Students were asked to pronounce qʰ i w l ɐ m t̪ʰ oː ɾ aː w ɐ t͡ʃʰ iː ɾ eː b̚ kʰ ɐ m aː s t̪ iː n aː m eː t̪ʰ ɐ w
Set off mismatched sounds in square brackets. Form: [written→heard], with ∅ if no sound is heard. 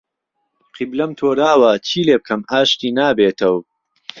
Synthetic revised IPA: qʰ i [w→b] l ɐ m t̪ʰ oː ɾ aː w ɐ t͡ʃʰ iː [ɾ→l] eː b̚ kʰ ɐ m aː [s→ʃ] t̪ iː n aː [m→b] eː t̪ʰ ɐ w